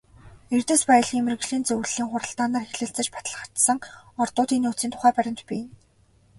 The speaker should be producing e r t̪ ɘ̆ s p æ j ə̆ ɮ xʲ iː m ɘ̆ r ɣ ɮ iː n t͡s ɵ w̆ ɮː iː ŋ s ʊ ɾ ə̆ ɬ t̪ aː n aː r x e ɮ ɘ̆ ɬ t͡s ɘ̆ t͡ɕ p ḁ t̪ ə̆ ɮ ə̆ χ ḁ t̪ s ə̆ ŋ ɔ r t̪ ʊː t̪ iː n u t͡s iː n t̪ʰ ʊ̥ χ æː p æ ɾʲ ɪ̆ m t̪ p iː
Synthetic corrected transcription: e r t̪ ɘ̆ s p æ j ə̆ ɮ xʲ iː m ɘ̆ r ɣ ɮ iː n t͡s ɵ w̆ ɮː iː ŋ χ ʊ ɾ ə̆ ɬ t̪ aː n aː r x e ɮ ɘ̆ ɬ t͡s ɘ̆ t͡ɕ p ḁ t̪ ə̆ ɮ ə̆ χ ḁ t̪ s ə̆ ŋ ɔ r t̪ ʊː t̪ iː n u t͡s iː n t̪ʰ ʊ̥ χ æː p æ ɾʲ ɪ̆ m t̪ p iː